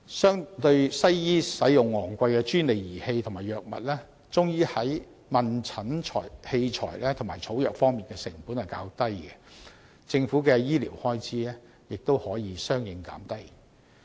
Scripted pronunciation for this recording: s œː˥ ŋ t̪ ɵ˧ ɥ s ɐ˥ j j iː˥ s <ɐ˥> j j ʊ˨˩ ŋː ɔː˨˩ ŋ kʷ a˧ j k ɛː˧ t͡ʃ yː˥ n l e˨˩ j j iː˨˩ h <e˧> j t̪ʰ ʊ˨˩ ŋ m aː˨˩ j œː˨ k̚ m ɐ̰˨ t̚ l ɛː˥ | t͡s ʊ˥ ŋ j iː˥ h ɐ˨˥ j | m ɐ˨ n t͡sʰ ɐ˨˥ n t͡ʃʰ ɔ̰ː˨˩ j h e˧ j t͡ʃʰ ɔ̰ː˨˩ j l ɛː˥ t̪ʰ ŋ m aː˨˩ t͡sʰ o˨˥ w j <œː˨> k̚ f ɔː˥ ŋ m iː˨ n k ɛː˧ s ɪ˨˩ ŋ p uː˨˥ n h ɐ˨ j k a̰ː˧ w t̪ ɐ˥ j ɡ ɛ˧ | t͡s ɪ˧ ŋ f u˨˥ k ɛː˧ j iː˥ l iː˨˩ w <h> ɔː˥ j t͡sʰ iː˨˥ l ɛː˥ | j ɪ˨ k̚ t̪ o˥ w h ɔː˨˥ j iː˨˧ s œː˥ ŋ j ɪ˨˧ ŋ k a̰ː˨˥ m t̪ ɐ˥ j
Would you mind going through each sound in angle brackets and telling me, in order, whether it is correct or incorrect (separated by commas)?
incorrect, correct, correct, correct